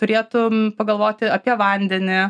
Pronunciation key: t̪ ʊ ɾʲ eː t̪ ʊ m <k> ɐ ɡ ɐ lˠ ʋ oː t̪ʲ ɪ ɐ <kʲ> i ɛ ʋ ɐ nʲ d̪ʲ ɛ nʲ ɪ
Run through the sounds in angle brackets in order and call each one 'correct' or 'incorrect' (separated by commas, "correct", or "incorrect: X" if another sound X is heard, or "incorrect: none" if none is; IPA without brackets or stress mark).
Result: incorrect: p, incorrect: pʲ